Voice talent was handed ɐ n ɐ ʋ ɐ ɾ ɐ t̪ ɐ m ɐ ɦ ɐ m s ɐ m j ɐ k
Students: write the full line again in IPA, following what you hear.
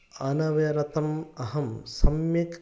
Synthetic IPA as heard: ɐ n ɐ ʋ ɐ ɾ ɐ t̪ ɐ m ɐ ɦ ɐ m s ɐ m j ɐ k